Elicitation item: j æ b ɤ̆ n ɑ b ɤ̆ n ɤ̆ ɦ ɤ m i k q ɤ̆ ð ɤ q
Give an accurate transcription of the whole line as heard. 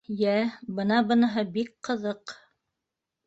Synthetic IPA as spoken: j æ b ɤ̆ n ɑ b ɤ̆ n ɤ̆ ɦ ɤ b i k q ɤ̆ ð ɤ q